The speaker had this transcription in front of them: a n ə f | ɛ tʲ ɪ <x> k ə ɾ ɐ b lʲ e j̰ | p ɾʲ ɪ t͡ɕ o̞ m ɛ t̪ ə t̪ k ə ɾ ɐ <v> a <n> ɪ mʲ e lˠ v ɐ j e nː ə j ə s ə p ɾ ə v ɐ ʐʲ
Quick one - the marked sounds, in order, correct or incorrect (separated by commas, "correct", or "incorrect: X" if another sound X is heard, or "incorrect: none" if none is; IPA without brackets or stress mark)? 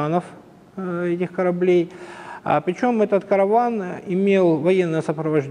correct, correct, correct